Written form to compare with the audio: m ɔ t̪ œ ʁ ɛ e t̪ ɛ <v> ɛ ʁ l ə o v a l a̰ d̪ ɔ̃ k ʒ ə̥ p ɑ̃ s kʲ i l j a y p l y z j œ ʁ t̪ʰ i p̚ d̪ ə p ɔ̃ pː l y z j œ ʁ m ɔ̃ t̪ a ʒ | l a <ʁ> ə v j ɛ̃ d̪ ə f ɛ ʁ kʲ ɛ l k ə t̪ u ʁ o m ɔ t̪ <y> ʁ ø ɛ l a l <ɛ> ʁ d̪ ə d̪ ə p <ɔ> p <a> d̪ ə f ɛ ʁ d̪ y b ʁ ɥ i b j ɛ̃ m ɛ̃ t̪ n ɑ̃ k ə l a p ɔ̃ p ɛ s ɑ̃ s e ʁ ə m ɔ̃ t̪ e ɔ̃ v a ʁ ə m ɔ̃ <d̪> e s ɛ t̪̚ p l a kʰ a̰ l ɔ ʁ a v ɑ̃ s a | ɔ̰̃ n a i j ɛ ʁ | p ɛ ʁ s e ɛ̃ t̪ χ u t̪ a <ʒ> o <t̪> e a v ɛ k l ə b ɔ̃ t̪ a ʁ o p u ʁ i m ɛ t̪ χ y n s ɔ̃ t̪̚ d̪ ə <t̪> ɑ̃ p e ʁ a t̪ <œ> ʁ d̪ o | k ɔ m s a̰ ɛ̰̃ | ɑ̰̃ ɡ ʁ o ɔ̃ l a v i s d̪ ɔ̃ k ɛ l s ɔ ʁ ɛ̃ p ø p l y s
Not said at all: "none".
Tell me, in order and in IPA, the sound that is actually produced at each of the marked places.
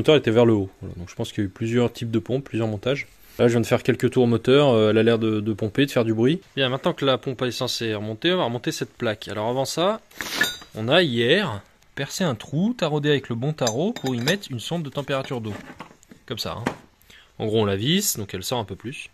v, ʒ, œ, ɛ, ɔ̃, e, t̪, ʁ, d̪, t̪, y

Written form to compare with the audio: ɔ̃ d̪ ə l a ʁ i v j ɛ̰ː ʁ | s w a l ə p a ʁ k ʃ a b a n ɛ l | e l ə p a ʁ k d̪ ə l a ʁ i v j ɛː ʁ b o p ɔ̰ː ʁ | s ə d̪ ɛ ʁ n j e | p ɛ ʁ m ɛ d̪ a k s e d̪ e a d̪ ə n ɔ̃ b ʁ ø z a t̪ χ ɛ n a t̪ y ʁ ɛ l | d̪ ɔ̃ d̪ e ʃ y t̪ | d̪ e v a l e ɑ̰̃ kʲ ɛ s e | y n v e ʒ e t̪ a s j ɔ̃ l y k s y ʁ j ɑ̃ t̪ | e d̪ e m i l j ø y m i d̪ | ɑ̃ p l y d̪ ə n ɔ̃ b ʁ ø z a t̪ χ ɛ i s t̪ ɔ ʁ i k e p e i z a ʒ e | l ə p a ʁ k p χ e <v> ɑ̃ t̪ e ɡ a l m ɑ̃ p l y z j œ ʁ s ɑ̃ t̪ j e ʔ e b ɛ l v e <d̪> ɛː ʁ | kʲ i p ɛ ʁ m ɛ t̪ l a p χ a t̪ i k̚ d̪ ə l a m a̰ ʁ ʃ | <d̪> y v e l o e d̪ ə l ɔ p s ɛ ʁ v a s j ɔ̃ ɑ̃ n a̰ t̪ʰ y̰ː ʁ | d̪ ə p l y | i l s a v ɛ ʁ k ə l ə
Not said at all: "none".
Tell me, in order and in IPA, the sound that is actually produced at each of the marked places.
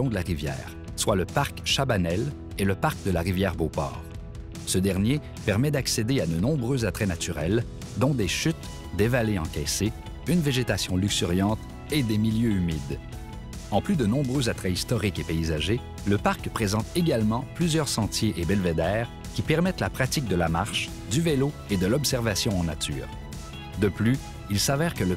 z, d̪, d̪

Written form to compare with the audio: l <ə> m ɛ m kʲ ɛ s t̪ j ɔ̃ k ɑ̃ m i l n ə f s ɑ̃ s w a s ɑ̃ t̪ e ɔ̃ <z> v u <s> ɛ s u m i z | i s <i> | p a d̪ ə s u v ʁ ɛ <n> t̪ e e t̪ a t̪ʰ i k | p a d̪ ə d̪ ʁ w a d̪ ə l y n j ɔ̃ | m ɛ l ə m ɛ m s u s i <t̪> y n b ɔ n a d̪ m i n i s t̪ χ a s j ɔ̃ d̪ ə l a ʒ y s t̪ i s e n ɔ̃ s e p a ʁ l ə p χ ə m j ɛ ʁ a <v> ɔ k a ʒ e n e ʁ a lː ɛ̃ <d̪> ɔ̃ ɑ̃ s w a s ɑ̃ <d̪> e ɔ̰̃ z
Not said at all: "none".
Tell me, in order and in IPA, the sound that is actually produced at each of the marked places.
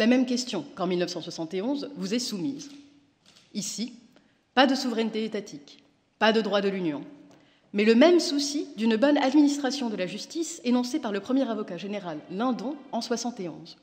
a, z, z, i, n, d̪, v, d̪, t̪

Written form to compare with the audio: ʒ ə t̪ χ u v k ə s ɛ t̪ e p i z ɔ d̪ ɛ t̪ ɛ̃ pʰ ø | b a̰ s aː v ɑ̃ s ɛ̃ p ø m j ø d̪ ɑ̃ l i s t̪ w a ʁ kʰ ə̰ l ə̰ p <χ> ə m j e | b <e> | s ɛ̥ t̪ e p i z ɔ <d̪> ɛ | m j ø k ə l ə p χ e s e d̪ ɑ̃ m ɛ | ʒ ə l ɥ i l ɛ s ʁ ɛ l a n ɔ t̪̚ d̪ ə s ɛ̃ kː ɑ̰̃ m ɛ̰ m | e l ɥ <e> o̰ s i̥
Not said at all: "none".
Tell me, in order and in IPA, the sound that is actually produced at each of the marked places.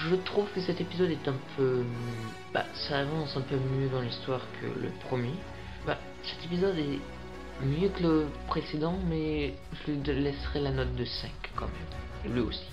χ, a, d̪, i

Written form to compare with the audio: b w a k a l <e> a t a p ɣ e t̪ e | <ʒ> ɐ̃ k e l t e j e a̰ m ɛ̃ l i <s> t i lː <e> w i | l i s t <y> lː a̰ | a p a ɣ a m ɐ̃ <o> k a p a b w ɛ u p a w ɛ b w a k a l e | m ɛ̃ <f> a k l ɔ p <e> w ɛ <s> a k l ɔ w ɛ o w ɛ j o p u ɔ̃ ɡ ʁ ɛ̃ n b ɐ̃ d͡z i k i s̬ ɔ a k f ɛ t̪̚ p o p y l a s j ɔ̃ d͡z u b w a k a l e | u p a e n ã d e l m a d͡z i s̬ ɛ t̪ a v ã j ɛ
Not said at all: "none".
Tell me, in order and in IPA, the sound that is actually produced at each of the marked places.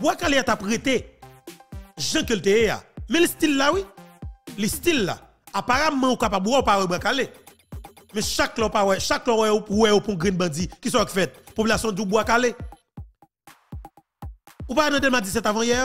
e, ʒ, s, a, i, u, ʃ, a, ʃ

